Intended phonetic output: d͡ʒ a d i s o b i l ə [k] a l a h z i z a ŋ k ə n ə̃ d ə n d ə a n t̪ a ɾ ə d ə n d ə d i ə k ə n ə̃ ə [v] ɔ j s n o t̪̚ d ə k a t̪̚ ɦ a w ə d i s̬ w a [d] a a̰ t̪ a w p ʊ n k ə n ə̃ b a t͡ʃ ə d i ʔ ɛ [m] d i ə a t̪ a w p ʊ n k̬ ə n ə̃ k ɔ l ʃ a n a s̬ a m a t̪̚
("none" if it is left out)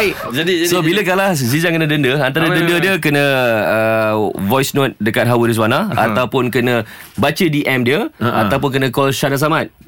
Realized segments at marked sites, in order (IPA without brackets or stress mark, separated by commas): k, v, n, m